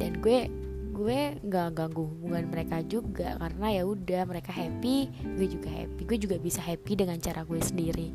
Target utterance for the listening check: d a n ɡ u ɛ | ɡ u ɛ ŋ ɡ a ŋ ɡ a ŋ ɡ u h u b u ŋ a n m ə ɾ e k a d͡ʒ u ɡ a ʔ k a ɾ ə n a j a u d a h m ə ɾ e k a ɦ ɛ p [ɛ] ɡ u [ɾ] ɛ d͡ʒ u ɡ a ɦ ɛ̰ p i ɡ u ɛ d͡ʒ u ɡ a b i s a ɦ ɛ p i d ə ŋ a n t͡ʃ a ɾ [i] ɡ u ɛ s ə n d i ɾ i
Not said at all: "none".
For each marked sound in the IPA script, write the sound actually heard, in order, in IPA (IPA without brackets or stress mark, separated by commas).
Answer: i, none, a